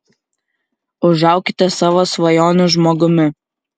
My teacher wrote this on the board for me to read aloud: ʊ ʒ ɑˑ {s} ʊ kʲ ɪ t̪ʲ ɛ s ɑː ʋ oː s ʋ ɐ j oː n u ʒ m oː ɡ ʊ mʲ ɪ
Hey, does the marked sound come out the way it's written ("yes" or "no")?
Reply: no